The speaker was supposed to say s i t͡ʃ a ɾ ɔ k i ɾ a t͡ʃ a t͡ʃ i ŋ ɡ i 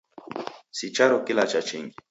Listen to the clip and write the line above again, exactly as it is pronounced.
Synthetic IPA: s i t͡ʃ a ɾ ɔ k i l a t͡ʃ a t͡ʃ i ŋ ɡ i